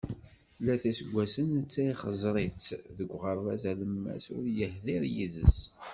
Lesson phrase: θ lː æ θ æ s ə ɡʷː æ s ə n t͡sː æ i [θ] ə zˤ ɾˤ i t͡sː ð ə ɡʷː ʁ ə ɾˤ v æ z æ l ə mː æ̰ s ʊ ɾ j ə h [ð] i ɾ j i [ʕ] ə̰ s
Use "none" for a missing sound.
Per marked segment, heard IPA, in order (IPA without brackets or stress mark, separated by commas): χ, ð, ð